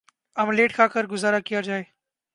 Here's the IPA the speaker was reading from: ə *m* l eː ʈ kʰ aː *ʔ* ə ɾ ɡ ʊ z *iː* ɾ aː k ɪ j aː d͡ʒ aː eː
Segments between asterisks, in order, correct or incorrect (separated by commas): correct, incorrect, incorrect